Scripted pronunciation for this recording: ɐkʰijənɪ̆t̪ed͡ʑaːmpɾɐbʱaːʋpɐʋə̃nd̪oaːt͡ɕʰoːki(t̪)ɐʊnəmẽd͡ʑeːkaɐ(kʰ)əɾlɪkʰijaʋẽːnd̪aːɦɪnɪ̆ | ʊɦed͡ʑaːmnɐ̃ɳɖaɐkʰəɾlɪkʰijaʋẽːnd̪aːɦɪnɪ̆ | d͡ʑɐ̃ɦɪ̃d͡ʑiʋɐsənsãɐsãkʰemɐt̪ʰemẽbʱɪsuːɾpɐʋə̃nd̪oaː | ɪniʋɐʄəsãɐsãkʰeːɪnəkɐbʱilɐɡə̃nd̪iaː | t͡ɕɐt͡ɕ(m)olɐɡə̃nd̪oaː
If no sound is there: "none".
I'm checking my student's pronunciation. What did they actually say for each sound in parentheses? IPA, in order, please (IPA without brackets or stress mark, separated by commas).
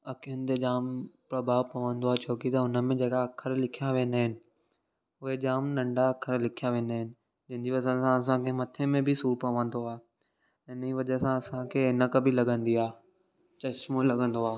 t̪, kʰ, m